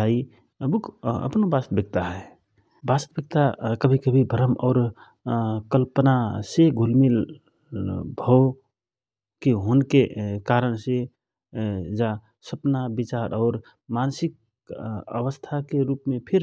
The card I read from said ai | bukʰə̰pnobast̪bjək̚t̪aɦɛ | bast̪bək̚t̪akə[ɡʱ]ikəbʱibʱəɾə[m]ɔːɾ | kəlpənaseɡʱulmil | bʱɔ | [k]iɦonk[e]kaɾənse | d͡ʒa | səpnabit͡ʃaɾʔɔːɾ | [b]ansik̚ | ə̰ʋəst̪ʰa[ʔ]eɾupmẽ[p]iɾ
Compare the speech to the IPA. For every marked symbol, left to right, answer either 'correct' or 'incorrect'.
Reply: incorrect: bʱ, correct, correct, correct, incorrect: m, incorrect: k, incorrect: pʰ

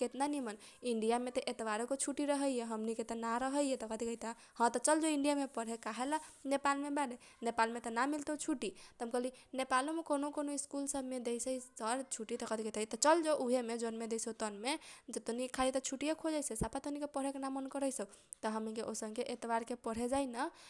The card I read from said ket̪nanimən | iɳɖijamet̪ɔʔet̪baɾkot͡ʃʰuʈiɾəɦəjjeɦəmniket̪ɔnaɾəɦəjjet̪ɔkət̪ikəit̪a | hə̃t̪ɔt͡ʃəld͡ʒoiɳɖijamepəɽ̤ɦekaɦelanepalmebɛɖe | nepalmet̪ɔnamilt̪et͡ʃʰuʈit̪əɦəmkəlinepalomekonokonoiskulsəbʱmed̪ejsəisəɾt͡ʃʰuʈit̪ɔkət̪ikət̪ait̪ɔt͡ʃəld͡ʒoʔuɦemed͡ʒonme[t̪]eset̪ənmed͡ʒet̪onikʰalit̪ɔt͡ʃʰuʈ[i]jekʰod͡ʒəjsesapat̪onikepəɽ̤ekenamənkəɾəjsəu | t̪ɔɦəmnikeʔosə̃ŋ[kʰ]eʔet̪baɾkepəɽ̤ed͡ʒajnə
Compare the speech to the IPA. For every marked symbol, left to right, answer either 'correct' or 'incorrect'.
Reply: incorrect: d̪, correct, incorrect: k

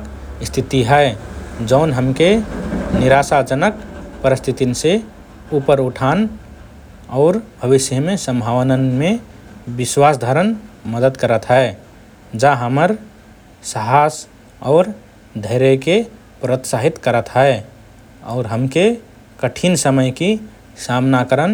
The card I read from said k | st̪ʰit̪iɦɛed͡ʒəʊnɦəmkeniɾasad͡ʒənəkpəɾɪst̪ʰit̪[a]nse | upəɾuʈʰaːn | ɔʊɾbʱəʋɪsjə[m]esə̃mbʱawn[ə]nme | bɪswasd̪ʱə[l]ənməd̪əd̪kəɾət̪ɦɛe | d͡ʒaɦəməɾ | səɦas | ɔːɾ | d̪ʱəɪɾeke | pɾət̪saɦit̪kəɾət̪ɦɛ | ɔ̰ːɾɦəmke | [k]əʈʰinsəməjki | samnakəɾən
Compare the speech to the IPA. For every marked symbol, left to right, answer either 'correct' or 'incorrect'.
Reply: incorrect: i, correct, correct, incorrect: ɾ, correct

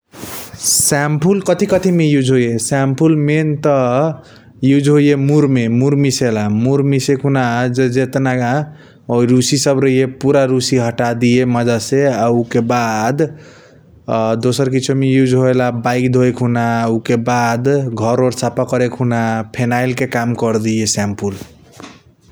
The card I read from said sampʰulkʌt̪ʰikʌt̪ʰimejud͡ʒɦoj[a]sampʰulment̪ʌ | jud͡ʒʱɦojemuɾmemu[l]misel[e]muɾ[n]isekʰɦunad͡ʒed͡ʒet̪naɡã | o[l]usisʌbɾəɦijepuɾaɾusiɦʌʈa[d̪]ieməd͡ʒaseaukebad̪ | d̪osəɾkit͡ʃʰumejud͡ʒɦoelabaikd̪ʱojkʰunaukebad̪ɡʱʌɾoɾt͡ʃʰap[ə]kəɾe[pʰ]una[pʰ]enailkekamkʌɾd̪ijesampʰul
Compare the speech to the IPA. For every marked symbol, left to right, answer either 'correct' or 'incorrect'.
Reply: incorrect: e, incorrect: ɾ, incorrect: a, incorrect: m, incorrect: ɾ, correct, incorrect: a, incorrect: kʰ, correct

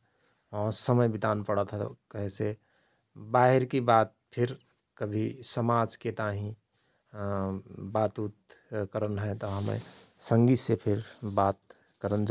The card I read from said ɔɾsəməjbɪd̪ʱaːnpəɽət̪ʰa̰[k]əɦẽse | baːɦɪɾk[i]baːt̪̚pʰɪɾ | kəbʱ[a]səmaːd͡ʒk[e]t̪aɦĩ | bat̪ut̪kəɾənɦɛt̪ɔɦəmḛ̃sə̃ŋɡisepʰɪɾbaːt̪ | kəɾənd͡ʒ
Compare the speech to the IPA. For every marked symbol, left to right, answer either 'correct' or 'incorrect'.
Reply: correct, correct, incorrect: i, correct

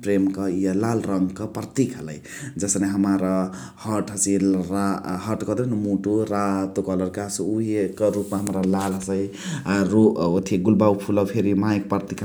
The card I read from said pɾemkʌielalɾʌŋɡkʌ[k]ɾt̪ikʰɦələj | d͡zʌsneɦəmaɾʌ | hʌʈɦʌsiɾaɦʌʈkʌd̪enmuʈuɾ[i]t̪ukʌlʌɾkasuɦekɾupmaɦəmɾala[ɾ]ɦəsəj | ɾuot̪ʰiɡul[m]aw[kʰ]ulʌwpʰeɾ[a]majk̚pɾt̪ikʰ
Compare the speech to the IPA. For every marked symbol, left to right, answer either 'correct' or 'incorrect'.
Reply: incorrect: p, incorrect: a, incorrect: l, incorrect: b, incorrect: pʰ, incorrect: i

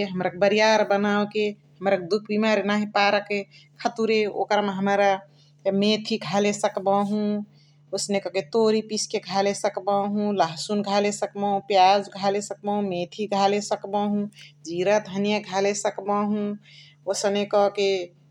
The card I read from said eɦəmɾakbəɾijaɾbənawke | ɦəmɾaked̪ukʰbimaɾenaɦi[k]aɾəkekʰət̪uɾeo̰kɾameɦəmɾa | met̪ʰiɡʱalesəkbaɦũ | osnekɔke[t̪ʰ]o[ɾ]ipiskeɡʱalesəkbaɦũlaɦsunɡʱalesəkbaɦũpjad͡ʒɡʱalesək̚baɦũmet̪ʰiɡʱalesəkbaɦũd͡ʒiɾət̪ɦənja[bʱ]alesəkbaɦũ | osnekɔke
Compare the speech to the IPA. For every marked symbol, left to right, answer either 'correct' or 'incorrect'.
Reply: incorrect: p, incorrect: t̪, correct, incorrect: ɡʱ

